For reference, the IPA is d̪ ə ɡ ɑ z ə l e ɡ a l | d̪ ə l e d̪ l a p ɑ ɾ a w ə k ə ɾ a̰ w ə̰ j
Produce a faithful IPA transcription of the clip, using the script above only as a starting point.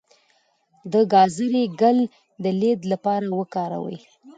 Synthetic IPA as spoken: d̪ ə ɡ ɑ z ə ɾ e ɡ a l | d̪ ə l e d̪ l a p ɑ ɾ a w ə k ɑ ɾ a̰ w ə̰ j